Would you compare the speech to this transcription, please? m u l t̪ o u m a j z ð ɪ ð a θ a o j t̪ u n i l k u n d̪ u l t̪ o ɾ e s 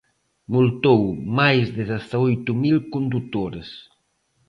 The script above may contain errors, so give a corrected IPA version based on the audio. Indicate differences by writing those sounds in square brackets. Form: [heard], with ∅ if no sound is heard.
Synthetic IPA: m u l t̪ o [w] m a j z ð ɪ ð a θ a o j t̪ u [m] i l k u n d̪ u [∅] t̪ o ɾ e s